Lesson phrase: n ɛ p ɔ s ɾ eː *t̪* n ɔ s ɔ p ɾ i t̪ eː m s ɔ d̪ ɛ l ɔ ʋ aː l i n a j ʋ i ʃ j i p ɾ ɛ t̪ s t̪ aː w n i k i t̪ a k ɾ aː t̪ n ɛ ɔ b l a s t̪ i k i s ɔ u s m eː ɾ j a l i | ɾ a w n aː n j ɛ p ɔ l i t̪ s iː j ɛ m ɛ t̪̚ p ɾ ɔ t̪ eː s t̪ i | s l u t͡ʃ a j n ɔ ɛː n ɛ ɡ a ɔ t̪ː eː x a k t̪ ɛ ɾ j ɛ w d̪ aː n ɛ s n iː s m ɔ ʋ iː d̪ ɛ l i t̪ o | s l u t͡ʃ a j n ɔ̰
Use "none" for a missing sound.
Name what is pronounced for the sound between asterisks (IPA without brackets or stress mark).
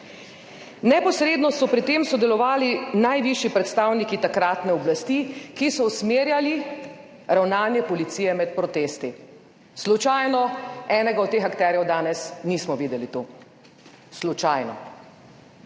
d̪